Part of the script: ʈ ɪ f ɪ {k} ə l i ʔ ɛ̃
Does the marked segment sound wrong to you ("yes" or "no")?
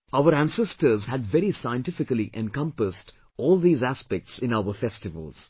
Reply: no